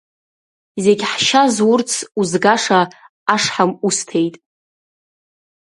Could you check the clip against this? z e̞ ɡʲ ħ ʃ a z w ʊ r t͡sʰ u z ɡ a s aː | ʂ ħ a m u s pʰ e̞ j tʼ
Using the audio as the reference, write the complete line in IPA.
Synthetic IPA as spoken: z e̞ ɡʲ ħ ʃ a z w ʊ r t͡sʰ u z ɡ a ʂ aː | ʂ ħ a m u s tʰ e̞ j tʼ